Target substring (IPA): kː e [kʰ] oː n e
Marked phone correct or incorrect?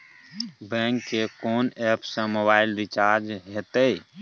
incorrect